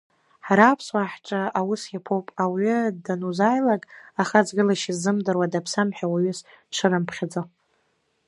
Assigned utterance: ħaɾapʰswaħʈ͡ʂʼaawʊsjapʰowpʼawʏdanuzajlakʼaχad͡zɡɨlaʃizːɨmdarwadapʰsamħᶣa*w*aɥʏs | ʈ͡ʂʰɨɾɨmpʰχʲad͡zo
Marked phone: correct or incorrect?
correct